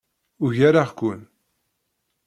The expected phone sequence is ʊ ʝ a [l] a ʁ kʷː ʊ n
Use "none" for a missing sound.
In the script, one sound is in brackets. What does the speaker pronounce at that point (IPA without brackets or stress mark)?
ɾ